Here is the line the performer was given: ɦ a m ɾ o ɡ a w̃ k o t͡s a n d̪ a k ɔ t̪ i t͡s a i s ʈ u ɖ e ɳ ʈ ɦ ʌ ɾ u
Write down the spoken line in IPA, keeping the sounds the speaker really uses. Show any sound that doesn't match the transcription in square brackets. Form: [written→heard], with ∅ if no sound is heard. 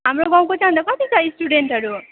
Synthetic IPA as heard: ɦ a m ɾ o ɡ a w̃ k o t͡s a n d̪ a k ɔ t̪ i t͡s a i s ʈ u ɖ e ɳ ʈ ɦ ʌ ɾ u